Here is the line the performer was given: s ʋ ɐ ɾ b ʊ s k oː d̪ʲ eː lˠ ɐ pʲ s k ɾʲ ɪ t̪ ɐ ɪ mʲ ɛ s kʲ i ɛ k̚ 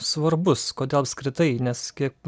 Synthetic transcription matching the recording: s ʋ ɐ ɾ b ʊ s k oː d̪ʲ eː lˠ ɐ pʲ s k ɾʲ ɪ t̪ ɐ ɪ nʲ ɛ s kʲ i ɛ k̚